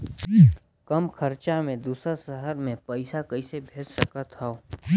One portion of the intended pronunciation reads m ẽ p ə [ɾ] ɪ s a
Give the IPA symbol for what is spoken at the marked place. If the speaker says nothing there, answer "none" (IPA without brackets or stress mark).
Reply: none